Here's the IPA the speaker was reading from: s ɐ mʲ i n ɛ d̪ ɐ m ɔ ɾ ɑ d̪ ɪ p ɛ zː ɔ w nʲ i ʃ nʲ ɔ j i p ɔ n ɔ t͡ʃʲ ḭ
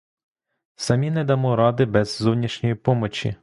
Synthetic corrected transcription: s ɐ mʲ i n ɛ d̪ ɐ m ɔ ɾ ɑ d̪ ɪ b ɛ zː ɔ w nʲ i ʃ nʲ ɔ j i p ɔ m ɔ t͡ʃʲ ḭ